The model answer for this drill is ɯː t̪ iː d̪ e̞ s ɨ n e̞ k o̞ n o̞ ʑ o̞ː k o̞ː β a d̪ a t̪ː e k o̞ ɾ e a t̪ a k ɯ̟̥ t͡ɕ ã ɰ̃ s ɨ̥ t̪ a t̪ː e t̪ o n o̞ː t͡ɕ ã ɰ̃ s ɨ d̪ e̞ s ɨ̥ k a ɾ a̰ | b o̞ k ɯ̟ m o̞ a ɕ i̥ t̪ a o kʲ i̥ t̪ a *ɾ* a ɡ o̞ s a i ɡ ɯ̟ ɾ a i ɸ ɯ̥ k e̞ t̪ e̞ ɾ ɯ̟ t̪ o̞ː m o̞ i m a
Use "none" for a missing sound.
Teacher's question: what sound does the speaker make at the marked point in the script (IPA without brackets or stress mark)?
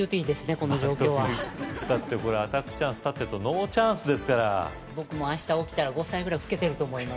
ɾ